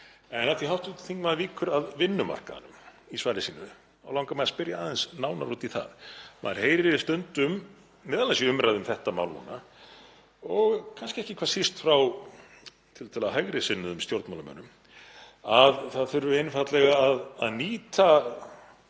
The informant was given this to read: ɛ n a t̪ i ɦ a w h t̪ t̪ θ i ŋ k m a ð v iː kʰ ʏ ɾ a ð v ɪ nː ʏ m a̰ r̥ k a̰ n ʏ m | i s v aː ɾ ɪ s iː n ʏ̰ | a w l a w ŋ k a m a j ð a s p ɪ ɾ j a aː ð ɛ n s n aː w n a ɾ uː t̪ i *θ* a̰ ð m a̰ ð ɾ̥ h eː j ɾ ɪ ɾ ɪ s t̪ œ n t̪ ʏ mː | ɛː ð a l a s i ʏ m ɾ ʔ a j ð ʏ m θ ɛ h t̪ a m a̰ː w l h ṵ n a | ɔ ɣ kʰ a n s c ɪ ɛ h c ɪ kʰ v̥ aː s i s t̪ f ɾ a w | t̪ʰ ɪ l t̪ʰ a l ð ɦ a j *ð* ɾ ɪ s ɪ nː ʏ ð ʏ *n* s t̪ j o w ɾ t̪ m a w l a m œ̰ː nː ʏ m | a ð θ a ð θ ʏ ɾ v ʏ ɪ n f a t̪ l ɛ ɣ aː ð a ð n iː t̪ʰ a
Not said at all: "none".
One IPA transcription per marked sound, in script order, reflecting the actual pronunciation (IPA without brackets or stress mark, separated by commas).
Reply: θ, ɣ, m